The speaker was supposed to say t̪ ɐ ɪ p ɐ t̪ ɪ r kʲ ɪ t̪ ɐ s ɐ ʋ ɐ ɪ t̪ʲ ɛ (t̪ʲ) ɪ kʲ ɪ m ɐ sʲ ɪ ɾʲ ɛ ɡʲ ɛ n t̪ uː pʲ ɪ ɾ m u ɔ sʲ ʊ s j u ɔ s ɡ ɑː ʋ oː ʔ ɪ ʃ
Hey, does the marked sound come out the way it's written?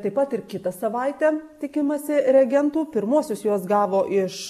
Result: yes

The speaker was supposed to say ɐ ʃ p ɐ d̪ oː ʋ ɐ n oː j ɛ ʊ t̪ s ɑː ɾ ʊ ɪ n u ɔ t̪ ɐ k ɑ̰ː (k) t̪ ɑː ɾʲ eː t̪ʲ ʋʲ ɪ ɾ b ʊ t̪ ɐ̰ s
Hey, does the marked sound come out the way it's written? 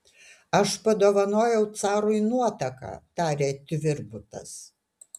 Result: no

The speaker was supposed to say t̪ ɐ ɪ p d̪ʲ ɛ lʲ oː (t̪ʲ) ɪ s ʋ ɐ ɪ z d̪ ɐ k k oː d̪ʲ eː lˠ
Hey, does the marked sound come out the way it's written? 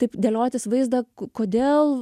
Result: yes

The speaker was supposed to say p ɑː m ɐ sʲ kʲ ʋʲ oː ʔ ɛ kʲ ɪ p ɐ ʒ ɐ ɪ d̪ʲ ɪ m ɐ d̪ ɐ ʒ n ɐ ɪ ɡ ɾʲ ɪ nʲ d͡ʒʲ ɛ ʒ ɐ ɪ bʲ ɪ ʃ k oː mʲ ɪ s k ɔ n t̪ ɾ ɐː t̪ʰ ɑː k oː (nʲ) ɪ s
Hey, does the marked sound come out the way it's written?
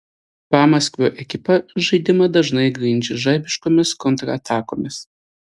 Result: no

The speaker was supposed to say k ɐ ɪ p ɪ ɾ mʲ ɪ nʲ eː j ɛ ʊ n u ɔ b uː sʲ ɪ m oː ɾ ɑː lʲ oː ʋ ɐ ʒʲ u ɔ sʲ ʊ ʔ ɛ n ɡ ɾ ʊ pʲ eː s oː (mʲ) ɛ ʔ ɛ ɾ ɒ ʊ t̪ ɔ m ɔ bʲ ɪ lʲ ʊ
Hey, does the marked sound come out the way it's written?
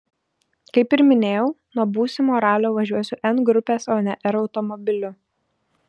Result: no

